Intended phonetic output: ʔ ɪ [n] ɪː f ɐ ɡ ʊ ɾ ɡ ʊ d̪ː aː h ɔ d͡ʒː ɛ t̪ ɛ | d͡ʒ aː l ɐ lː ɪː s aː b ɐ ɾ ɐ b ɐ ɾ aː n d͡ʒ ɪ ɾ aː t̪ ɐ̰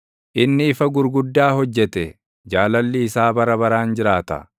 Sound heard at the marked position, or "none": nː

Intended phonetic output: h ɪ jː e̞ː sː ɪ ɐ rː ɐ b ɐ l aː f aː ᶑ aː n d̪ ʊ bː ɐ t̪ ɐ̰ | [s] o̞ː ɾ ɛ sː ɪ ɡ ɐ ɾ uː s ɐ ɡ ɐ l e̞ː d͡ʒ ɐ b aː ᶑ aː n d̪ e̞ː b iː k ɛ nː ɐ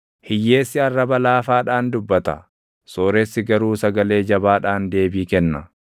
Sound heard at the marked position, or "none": s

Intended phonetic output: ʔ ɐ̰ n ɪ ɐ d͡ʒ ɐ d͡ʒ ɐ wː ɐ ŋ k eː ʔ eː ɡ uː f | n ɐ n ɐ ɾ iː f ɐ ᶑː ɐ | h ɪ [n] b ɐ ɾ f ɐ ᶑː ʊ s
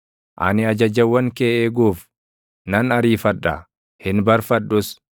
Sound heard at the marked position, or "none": n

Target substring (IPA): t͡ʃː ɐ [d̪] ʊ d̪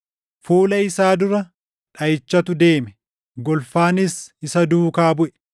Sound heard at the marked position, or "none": t̪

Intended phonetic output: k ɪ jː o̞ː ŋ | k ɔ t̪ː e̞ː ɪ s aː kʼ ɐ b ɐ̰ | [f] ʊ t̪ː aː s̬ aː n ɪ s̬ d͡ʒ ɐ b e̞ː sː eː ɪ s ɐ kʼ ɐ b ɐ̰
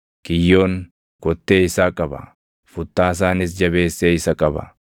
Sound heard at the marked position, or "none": f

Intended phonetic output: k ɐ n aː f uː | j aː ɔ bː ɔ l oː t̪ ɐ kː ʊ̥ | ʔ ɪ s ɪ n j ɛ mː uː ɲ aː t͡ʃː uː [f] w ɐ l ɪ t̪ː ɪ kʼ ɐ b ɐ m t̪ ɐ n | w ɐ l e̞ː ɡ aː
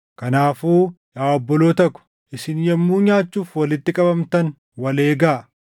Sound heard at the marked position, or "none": f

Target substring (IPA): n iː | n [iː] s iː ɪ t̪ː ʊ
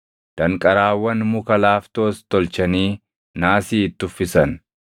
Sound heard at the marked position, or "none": aː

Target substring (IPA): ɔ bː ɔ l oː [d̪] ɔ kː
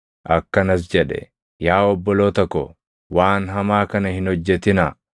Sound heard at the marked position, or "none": t̪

